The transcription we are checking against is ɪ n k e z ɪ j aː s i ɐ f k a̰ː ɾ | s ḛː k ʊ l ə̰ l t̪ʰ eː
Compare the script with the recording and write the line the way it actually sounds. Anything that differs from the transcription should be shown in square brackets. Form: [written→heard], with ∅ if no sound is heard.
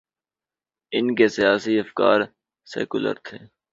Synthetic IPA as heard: ɪ n k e [z→s] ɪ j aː s i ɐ f k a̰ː ɾ | s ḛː k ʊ l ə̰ [l→ɾ] t̪ʰ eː